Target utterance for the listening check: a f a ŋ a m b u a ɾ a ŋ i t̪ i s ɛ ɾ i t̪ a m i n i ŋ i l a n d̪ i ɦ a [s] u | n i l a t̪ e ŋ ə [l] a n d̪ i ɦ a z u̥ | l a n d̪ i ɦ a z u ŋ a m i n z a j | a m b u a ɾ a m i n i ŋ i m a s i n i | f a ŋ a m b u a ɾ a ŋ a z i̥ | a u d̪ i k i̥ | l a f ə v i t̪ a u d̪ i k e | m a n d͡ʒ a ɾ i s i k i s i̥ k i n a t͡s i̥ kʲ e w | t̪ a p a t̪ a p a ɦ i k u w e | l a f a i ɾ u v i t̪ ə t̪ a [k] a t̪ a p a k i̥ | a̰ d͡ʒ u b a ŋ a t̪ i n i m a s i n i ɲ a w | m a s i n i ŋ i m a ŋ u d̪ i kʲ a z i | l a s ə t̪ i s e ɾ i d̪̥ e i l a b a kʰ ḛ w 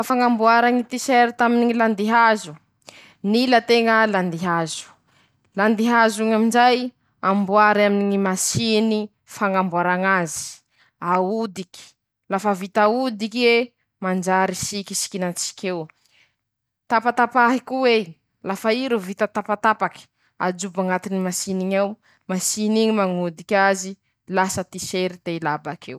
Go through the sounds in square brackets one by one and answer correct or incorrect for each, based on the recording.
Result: incorrect: z, correct, incorrect: p

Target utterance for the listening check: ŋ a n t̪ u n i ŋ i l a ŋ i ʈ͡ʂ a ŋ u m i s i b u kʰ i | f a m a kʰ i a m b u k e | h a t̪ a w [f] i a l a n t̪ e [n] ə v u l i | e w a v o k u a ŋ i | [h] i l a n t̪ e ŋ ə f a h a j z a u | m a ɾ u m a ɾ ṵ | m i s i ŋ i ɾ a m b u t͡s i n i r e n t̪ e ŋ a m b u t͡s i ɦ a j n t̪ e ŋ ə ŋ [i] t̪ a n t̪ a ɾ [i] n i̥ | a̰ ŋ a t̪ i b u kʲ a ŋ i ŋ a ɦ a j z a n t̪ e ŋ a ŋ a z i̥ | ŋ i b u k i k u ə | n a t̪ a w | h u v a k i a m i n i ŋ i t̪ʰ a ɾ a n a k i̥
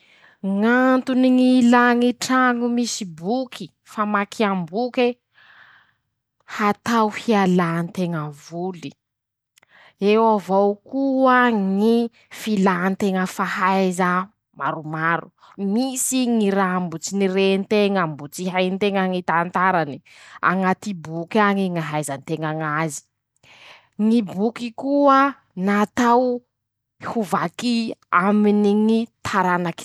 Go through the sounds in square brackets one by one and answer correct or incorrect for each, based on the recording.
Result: incorrect: h, incorrect: ŋ, incorrect: f, correct, incorrect: a

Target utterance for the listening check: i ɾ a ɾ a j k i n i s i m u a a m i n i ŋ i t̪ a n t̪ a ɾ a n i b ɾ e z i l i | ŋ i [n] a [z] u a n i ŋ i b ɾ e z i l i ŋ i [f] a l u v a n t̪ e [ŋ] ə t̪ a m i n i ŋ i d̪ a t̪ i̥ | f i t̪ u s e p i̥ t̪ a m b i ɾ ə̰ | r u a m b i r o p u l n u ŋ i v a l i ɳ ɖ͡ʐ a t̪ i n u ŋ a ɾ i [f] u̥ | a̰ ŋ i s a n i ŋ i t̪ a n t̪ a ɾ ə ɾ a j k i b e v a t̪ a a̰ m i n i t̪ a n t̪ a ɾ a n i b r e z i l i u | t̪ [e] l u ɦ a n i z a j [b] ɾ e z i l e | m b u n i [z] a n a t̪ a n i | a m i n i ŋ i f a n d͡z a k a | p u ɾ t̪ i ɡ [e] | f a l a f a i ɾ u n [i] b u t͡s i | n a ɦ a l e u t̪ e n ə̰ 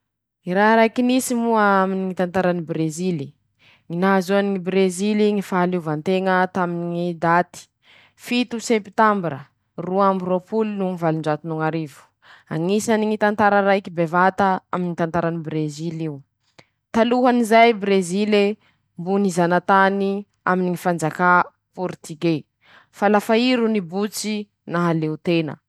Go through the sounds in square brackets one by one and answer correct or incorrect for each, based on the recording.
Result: correct, correct, correct, correct, incorrect: v, incorrect: a, correct, correct, correct, correct

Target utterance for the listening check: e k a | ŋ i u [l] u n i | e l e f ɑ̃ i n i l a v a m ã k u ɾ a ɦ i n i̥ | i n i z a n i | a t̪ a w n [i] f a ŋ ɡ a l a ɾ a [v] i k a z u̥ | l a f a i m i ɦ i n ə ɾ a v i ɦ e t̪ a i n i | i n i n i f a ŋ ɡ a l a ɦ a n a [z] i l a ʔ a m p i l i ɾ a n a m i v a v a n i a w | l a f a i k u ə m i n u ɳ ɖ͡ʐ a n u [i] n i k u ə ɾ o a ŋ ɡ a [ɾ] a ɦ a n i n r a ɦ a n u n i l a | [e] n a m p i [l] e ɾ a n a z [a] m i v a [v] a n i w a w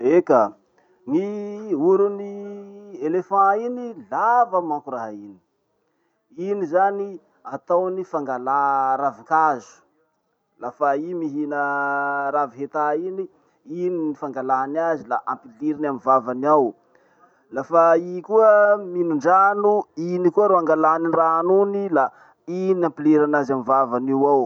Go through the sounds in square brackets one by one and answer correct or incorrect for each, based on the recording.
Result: incorrect: ɾ, correct, correct, correct, correct, incorrect: l, incorrect: i, correct, correct, correct

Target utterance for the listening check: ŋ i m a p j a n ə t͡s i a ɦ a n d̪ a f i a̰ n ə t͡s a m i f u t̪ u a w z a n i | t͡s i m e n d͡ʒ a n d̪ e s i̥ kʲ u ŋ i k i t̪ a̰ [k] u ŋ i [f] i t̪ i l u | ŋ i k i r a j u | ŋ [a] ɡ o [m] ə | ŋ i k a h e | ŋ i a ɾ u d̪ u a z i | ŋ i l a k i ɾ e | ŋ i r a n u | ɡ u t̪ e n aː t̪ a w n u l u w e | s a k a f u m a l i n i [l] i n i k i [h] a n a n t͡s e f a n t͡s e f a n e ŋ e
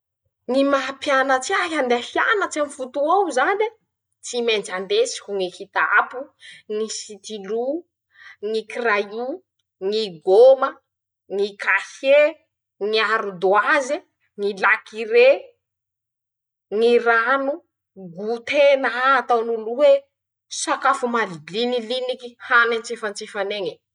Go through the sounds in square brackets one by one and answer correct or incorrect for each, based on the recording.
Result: incorrect: p, incorrect: s, incorrect: i, correct, correct, correct

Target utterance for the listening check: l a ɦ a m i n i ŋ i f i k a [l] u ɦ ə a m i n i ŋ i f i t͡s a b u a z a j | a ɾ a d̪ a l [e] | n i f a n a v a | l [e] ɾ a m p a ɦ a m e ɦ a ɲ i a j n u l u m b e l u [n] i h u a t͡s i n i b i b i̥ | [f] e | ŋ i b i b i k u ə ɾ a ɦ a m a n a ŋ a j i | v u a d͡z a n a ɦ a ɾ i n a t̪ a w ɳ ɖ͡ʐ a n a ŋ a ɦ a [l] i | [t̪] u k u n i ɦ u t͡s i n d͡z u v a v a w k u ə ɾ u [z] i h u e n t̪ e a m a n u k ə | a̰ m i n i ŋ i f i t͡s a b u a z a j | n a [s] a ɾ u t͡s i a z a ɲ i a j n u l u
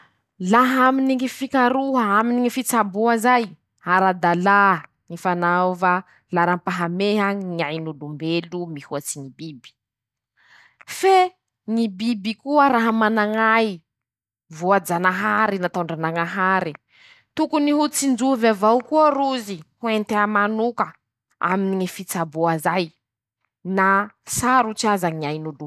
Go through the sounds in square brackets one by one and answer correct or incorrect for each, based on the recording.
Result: incorrect: ɾ, incorrect: a, incorrect: a, incorrect: m, correct, incorrect: ɾ, correct, correct, correct

